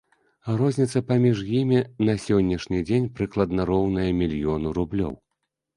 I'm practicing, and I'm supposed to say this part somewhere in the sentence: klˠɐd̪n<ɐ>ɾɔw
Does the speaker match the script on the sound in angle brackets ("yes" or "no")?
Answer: yes